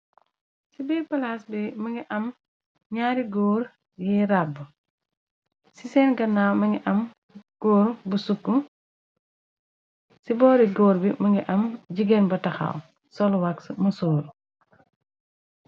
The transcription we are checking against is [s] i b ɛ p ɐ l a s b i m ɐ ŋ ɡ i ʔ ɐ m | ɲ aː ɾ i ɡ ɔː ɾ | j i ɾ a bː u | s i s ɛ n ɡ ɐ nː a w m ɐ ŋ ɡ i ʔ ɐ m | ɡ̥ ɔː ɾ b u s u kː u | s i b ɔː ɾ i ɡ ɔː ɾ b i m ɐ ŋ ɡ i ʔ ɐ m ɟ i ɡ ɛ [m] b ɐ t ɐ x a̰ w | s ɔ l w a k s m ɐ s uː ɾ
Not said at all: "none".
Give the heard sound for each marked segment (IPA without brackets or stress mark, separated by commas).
s, n